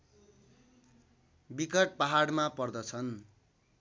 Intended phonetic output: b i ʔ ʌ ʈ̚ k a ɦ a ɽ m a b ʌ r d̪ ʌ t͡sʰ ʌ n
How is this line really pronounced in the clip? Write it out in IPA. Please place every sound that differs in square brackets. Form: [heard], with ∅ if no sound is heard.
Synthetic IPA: b i [k] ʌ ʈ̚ [p] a ɦ a ɽ m a [p] ʌ r d̪ ʌ t͡sʰ ʌ n